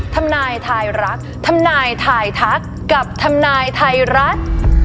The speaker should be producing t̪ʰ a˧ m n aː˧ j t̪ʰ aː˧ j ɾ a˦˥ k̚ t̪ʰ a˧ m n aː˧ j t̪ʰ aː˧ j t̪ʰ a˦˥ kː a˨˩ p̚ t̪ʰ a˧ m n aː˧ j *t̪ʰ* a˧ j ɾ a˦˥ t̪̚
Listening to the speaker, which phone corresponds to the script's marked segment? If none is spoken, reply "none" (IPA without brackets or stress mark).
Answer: t̪ʰ